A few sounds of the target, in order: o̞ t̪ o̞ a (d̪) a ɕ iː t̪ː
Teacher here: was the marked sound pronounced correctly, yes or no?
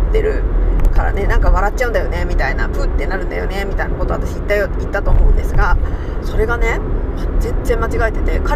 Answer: no